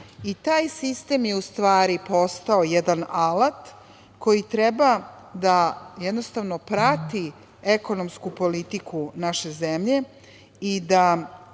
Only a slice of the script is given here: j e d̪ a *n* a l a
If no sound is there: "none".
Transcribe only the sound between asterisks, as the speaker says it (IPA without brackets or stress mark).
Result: n